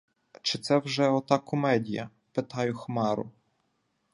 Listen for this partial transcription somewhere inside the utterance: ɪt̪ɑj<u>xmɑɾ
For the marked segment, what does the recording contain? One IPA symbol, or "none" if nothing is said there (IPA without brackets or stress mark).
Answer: ʊ